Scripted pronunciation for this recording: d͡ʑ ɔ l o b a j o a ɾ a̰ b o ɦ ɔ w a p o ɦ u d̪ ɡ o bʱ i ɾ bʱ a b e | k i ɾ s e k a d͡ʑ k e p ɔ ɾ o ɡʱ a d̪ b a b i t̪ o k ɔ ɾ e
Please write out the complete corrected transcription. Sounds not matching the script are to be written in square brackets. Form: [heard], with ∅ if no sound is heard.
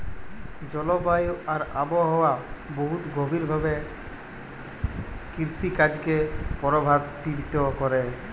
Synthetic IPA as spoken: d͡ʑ ɔ l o b a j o a ɾ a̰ b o ɦ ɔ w a [b] o ɦ u [t̪] ɡ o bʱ i ɾ bʱ a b e | k i ɾ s [i] k a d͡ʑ k e p ɔ ɾ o [bʱ] a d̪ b [i] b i t̪ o k ɔ ɾ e

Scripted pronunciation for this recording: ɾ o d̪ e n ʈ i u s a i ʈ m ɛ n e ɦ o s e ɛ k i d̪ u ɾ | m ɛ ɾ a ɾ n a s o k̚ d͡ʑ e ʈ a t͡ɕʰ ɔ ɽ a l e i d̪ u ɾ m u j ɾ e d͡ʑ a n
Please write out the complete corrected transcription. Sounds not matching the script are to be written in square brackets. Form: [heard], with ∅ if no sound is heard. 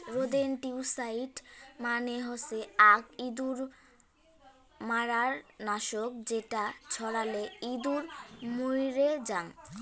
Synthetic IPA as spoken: ɾ o d̪ e n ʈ i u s a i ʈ m [a] n e ɦ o s e [a] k i d̪ u ɾ | m [a] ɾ a ɾ n a [ʃ] o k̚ d͡ʑ e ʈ a t͡ɕʰ ɔ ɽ a l e i d̪ u ɾ m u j ɾ e d͡ʑ a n

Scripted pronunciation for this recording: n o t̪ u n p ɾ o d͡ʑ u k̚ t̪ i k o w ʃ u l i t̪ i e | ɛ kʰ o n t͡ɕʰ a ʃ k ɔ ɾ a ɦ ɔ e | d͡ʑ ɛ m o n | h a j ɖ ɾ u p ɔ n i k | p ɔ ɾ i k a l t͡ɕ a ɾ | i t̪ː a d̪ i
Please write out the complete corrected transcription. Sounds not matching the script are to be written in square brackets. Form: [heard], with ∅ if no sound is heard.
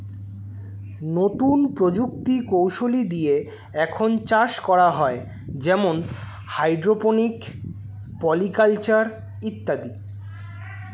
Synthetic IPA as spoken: n o t̪ u n p ɾ o d͡ʑ u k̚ t̪ i k o w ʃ [o] l i [d̪] i e | ɛ kʰ o n [t͡ɕ] a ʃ k ɔ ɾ a ɦ ɔ e | d͡ʑ ɛ m o n | h a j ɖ ɾ [o] p [o] n i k | p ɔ [l] i k a l t͡ɕ a ɾ | i t̪ː a d̪ i

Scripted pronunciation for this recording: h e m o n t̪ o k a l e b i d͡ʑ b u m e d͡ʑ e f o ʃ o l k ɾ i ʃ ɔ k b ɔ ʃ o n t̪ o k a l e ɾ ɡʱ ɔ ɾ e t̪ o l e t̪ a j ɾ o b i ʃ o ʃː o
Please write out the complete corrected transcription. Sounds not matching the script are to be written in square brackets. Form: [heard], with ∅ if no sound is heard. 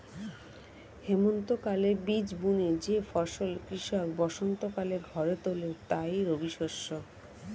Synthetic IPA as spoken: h e m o n t̪ o k a l e b i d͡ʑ b u [n] e d͡ʑ e f [ɔ] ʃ o l k ɾ i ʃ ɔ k b ɔ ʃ o n t̪ o k a l e ɾ ɡʱ ɔ ɾ e t̪ o l e t̪ a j ɾ o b i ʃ o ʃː o

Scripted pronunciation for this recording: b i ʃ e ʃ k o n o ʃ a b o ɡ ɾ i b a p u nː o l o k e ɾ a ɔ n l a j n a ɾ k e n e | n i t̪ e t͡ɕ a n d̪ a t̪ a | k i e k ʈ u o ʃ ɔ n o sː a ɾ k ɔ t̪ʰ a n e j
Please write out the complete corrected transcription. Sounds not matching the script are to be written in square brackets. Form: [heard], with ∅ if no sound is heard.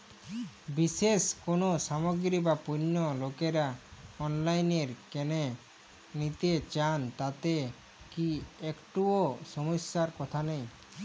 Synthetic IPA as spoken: b i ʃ e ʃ k o n o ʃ a [m] o ɡ ɾ i b a p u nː o l o k e ɾ a ɔ n l a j n [e] ɾ k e n e | n i t̪ e t͡ɕ a n [t̪] a t̪ [e] | k i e k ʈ u o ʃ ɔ [m] o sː a ɾ k ɔ t̪ʰ a n e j

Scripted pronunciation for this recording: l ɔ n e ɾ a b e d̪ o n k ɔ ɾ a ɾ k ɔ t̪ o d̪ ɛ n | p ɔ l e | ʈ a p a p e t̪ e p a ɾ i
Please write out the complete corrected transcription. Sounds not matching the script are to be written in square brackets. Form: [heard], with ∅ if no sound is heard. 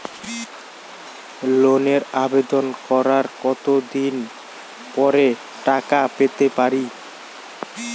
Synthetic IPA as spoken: l [o] n e ɾ a b e d̪ o n k ɔ ɾ a ɾ k ɔ t̪ o d̪ [i] n | p ɔ [ɾ] e | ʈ a [k] a p e t̪ e p a ɾ i

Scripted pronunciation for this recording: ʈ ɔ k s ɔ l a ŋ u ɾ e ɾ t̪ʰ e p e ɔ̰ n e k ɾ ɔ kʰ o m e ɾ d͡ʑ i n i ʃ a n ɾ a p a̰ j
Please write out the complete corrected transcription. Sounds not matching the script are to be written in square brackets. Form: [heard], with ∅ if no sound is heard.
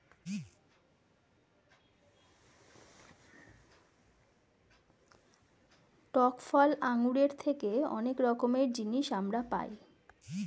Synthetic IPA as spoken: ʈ ɔ k [f] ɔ l a ŋ u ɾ e ɾ t̪ʰ e [k] e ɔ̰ n e k ɾ ɔ [k] o m e ɾ d͡ʑ i n i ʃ a [m] ɾ a p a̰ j

